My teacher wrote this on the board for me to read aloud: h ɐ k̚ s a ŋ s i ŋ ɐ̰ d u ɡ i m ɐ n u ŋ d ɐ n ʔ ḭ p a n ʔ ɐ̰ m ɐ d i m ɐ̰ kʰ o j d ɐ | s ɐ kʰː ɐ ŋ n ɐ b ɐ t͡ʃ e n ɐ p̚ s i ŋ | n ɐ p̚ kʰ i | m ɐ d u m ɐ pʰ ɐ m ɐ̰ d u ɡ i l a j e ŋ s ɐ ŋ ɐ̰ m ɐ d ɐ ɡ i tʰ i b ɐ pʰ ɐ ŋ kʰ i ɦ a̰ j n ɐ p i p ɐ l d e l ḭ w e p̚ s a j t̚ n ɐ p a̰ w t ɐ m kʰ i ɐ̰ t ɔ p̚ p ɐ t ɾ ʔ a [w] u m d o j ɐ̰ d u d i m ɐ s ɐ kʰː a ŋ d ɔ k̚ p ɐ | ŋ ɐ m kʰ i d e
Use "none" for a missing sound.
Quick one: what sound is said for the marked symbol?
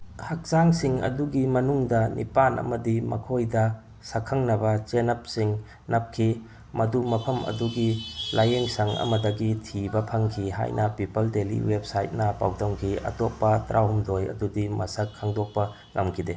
w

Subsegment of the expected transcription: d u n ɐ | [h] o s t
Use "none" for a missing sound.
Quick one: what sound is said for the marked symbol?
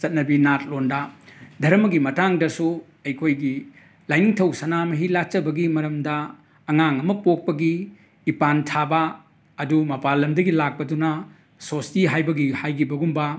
s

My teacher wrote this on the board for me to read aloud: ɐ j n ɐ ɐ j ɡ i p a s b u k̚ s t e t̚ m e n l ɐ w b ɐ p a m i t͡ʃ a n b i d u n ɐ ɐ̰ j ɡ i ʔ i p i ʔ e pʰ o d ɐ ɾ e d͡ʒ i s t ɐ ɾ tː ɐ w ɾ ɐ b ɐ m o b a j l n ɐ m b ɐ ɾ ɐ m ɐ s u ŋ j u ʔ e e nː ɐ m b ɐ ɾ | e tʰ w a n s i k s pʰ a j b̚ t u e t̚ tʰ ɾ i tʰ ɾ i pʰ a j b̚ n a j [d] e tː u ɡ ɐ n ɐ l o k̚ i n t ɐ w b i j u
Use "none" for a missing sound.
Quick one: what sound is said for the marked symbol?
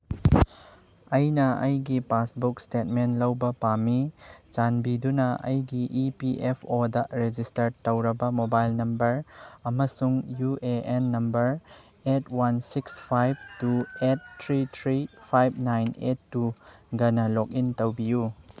n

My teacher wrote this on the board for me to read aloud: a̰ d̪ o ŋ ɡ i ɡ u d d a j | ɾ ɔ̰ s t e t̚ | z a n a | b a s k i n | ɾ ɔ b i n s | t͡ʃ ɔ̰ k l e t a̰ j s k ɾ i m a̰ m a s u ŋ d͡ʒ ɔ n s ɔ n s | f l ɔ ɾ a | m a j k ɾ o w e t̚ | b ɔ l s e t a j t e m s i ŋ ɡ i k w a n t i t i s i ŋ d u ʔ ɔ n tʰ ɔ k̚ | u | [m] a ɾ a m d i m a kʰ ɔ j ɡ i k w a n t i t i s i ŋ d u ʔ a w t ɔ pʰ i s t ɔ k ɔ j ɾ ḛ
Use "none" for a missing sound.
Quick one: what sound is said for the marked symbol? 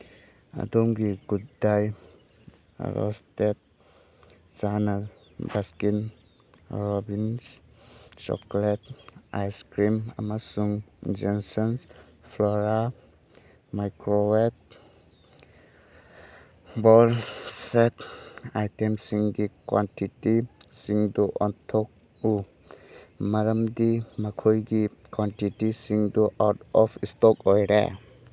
m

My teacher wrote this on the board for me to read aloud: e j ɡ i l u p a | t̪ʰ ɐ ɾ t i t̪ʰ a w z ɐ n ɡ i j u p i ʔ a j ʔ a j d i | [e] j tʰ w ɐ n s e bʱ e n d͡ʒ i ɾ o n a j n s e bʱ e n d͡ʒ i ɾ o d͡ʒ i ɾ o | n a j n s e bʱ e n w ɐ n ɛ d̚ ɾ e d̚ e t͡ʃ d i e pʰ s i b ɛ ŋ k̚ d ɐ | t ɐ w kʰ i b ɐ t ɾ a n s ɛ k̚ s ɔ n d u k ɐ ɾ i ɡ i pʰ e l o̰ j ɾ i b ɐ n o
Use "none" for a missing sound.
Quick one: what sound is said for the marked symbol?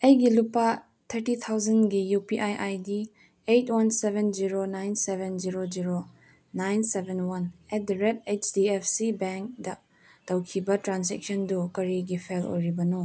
e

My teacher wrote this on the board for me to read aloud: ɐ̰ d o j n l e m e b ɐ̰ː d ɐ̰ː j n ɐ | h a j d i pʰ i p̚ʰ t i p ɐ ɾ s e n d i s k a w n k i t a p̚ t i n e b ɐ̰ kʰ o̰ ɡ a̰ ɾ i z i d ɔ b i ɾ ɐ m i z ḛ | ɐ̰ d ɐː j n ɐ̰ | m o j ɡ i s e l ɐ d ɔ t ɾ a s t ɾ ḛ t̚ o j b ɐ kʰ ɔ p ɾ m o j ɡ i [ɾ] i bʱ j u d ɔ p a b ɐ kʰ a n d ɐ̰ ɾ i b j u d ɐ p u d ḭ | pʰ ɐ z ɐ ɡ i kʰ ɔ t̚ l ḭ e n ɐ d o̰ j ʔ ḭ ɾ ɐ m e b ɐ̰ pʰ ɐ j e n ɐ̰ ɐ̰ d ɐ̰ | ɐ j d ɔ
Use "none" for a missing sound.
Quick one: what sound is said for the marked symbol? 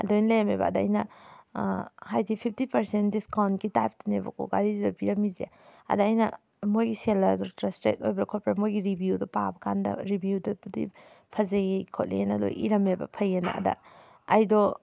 ɾ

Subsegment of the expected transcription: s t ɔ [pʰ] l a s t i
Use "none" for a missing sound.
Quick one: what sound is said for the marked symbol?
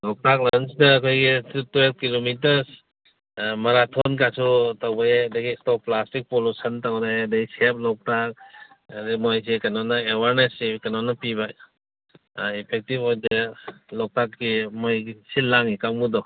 p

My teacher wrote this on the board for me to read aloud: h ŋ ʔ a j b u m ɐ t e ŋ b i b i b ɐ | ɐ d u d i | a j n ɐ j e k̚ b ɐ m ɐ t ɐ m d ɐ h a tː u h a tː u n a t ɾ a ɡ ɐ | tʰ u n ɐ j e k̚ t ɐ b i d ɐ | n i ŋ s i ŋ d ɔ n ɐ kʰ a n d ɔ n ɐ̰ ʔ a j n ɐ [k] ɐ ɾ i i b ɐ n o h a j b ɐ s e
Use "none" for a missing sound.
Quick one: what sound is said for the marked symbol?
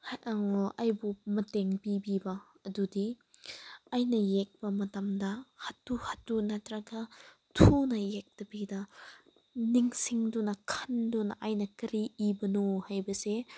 k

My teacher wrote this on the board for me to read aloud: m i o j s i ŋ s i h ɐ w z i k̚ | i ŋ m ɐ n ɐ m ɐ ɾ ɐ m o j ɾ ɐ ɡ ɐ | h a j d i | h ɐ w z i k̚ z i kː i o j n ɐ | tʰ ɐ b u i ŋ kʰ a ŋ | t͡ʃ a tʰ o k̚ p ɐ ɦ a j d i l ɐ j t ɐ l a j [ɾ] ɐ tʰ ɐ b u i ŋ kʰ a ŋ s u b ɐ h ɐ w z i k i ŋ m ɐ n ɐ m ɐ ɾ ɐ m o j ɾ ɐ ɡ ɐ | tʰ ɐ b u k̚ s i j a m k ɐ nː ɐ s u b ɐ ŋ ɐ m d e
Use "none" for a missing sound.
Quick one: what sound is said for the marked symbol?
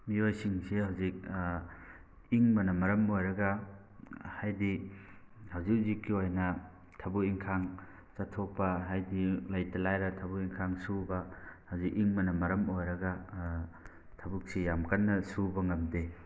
ɾ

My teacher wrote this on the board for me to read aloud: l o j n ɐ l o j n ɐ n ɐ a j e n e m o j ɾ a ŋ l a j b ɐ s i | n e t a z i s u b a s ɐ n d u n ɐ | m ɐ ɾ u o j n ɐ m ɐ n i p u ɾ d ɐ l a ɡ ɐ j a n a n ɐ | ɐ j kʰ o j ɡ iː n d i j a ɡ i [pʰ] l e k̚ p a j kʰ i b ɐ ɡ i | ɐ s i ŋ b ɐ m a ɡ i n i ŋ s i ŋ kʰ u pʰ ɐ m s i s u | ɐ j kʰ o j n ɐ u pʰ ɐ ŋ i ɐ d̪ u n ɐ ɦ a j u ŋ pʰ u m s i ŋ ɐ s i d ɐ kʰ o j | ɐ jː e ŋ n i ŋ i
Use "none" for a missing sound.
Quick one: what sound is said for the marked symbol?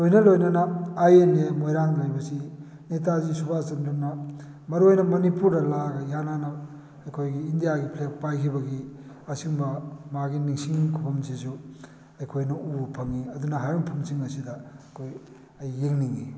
pʰ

